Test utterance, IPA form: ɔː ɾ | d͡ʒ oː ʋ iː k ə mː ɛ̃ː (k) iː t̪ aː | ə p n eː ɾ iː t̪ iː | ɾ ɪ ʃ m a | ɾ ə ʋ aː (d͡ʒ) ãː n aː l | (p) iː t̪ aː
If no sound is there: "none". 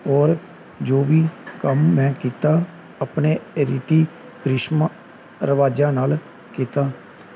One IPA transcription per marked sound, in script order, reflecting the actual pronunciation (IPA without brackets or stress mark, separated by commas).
k, d͡ʒ, k